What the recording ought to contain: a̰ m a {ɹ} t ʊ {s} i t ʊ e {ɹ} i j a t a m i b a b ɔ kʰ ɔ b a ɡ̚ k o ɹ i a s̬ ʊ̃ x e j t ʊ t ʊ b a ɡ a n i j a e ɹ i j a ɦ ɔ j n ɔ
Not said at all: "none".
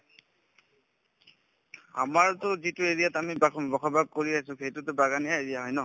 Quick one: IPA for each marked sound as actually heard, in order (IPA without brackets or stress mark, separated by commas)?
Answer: ɹ, z, ɹ